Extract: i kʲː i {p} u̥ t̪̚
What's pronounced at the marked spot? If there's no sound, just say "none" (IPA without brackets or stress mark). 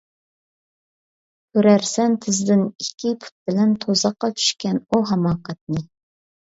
pʰ